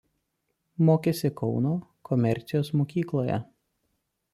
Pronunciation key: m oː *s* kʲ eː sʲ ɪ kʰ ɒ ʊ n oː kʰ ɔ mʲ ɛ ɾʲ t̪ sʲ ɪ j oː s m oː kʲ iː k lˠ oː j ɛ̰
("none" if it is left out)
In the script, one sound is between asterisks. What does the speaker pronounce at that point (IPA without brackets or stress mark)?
none